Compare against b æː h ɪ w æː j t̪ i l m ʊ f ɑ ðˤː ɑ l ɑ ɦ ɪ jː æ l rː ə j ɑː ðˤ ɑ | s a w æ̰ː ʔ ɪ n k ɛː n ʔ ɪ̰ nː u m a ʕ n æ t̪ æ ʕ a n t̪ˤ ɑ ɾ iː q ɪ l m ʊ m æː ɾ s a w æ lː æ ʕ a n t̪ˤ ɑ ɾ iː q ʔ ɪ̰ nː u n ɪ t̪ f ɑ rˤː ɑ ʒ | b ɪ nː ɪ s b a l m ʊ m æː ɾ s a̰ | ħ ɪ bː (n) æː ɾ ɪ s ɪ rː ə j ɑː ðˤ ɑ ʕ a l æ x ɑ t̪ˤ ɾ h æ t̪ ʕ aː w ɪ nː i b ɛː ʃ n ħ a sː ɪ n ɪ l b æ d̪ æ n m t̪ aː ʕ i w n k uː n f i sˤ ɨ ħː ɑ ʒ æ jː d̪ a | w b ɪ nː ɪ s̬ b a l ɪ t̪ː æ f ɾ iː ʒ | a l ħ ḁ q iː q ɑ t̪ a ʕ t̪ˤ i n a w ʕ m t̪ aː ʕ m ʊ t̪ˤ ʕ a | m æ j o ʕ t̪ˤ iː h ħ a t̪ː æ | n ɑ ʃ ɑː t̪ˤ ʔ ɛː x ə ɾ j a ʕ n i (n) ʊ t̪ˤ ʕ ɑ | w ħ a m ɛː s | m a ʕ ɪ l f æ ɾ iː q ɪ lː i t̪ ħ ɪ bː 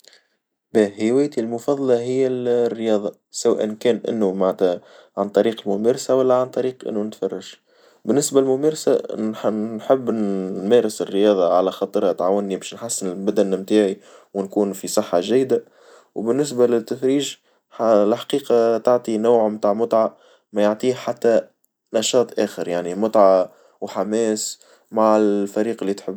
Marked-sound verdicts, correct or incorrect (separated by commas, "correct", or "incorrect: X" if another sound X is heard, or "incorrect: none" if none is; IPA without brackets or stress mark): incorrect: m, incorrect: m